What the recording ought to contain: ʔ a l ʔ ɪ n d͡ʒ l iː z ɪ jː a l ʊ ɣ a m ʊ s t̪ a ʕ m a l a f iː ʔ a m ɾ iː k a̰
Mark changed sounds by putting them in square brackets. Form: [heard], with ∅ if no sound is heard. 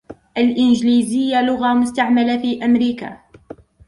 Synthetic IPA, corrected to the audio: ʔ a l ʔ ɪ n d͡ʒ l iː z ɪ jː a l ʊ ɣ a m ʊ s t̪ a ʕ m a l a f iː ʔ a m ɾ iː k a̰